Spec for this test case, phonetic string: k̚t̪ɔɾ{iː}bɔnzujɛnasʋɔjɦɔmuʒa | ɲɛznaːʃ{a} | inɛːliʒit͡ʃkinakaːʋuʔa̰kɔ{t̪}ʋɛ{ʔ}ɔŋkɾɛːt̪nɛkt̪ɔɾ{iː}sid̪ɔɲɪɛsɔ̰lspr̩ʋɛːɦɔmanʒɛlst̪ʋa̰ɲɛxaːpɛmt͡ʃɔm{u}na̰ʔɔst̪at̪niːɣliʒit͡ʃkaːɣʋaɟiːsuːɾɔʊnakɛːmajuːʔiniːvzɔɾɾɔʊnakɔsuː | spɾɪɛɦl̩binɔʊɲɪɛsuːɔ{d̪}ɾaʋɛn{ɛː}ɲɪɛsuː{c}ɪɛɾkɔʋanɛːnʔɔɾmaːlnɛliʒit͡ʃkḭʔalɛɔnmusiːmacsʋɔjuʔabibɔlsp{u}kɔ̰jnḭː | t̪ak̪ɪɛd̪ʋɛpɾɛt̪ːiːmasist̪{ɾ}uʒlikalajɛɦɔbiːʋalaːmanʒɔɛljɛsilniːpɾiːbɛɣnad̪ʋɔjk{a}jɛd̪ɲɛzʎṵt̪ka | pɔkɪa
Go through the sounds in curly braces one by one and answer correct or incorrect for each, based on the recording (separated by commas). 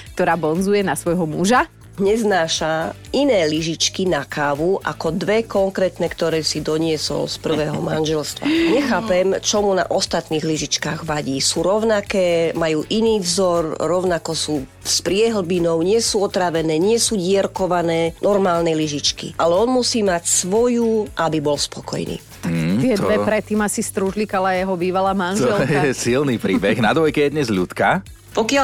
incorrect, correct, incorrect, incorrect, incorrect, correct, incorrect, correct, incorrect, incorrect, correct, incorrect